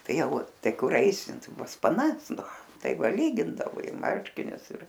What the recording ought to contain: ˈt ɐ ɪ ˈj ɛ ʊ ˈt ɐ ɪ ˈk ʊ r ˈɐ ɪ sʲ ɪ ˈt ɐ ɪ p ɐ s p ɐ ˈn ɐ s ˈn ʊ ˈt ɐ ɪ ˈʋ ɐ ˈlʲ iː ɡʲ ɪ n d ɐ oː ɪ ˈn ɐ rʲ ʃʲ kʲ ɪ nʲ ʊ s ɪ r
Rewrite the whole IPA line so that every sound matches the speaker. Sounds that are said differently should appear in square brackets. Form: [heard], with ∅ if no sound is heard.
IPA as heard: ˈt ɐ ɪ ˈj ɛ ʊ ˈt ɐ ɪ ˈk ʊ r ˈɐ ɪ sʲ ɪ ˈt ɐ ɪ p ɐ s p ɐ ˈn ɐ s ˈn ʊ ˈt ɐ ɪ ˈʋ ɐ ˈlʲ iː ɡʲ ɪ n d ɐ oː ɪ [ˈm] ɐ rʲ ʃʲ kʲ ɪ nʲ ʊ s ɪ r

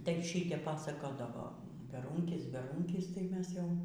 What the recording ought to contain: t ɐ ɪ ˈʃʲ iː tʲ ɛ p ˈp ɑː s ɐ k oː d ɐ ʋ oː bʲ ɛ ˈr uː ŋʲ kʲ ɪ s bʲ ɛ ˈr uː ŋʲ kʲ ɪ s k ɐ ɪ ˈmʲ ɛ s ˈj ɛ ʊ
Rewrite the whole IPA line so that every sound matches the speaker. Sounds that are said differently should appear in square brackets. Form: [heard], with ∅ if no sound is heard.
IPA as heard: t ɐ ɪ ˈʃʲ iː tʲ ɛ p ˈp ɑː s ɐ k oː d ɐ ʋ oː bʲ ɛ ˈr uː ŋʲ kʲ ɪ s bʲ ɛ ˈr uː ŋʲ kʲ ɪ s [t] ɐ ɪ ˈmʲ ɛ s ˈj ɛ ʊ

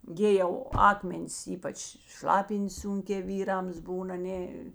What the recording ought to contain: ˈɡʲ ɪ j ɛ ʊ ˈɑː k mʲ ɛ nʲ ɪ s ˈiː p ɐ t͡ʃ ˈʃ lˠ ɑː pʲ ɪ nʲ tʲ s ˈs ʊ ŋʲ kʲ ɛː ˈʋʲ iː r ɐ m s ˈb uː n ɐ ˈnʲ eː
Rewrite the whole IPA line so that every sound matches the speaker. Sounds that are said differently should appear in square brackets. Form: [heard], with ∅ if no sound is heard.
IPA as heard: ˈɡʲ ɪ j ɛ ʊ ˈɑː k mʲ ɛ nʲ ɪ s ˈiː p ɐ t͡ʃ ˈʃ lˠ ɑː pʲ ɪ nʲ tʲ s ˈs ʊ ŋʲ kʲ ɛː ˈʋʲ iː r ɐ m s ˈb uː n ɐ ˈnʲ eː

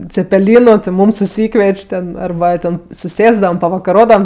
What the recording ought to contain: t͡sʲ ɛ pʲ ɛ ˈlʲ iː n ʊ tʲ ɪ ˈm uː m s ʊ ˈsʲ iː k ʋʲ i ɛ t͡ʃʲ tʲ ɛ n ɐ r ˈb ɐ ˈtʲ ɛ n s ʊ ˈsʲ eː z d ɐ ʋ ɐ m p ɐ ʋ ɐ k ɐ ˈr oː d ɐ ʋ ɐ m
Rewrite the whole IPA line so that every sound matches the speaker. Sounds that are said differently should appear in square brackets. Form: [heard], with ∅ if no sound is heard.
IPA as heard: t͡sʲ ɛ pʲ ɛ ˈlʲ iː n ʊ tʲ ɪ ˈm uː m s ʊ ˈsʲ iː k ʋʲ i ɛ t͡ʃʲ tʲ ɛ n ɐ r ˈb ɐ ˈtʲ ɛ n s ʊ ˈsʲ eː z d ɐ ʋ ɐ m p ɐ ʋ ɐ k ɐ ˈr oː d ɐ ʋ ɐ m

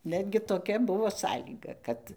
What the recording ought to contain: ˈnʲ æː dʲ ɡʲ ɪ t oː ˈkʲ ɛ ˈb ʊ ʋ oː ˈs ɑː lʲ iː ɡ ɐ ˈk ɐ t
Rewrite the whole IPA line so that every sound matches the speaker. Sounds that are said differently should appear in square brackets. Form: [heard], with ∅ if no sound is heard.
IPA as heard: ˈnʲ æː dʲ ɡʲ ɪ t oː ˈkʲ ɛ ˈb ʊ ʋ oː ˈs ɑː lʲ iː ɡ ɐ ˈk ɐ t

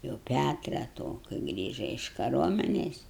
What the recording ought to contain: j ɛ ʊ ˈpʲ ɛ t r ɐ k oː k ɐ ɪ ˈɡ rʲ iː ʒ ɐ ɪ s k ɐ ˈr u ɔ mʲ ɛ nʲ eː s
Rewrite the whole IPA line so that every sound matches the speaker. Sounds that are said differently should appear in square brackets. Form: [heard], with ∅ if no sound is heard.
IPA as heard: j ɛ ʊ ˈpʲ [æ] t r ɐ [t] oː k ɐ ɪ ˈɡ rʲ iː ʒ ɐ ɪ [ʃ] k ɐ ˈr u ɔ mʲ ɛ nʲ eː s

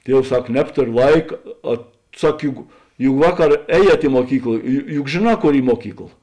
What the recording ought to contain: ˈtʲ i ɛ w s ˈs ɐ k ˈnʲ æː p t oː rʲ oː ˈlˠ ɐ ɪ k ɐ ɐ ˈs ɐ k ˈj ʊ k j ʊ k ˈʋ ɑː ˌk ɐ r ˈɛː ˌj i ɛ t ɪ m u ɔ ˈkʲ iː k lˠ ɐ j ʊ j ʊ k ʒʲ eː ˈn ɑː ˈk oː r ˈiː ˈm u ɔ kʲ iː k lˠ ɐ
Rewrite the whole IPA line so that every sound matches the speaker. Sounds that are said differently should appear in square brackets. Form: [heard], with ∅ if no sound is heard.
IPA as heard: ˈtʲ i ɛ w s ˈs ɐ k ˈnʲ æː p t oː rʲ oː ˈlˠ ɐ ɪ k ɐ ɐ ˈs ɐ k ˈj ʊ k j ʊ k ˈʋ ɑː ˌk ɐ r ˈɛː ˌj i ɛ t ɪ m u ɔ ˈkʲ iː k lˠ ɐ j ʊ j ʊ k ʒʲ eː ˈn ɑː ˈk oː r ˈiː ˈm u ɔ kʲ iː k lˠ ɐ

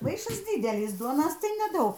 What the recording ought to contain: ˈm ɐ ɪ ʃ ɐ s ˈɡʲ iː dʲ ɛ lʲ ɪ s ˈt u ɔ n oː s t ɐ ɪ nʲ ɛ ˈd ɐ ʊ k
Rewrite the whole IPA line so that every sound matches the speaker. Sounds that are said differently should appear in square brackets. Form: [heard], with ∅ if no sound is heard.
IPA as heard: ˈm ɐ ɪ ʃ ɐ s [ˈdʲ] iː dʲ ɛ lʲ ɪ s [ˈd] u ɔ n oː s t ɐ ɪ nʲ ɛ ˈd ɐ ʊ k

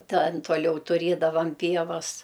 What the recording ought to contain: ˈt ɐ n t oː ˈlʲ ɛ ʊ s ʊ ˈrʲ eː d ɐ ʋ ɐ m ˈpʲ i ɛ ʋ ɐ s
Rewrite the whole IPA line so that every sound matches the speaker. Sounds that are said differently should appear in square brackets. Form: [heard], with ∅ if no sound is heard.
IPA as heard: ˈt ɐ n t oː ˈlʲ ɛ ʊ [t] ʊ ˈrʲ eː d ɐ ʋ ɐ m ˈpʲ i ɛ ʋ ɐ s

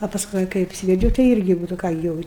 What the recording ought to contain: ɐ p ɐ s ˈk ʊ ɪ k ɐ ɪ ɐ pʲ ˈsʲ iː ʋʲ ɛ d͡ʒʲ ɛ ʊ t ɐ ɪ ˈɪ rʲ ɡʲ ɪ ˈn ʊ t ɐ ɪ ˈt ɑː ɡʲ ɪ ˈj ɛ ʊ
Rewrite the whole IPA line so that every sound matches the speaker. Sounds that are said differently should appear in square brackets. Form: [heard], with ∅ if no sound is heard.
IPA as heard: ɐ p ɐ s ˈk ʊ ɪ k ɐ ɪ ɐ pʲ ˈsʲ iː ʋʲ ɛ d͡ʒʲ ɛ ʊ t ɐ ɪ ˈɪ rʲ ɡʲ ɪ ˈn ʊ t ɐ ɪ [ˈk] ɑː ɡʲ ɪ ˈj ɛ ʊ

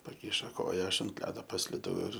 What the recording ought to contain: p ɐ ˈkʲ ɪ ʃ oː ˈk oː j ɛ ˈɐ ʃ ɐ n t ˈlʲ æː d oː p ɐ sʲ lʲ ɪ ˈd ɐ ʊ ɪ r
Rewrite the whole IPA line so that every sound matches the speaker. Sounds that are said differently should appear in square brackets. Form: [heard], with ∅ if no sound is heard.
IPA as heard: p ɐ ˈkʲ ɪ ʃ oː ˈk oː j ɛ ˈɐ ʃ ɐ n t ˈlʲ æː d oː p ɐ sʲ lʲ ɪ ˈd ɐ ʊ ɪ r

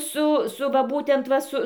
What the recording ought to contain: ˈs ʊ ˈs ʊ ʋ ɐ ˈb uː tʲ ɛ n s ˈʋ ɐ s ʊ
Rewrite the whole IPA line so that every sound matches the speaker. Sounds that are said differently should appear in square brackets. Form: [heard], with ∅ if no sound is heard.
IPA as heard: ˈs ʊ ˈs ʊ ʋ ɐ ˈb uː tʲ ɛ n [t] ˈʋ ɐ s ʊ

